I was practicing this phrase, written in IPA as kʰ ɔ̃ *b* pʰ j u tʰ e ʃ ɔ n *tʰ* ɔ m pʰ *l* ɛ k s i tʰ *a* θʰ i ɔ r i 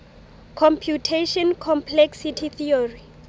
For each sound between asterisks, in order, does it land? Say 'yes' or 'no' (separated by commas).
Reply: no, no, yes, no